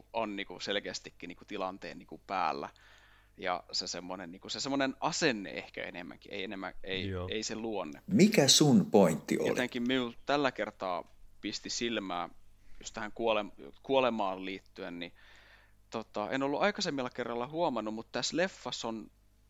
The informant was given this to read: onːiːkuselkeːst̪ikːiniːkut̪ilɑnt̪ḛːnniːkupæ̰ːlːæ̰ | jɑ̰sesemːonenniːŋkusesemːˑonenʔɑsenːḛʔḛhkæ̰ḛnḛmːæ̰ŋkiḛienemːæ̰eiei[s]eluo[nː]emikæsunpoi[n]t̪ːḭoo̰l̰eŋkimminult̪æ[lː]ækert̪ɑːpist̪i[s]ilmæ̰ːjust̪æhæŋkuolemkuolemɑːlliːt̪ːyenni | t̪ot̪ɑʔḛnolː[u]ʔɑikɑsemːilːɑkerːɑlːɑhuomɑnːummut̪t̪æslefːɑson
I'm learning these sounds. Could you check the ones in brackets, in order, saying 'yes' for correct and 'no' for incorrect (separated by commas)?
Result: yes, yes, yes, yes, yes, yes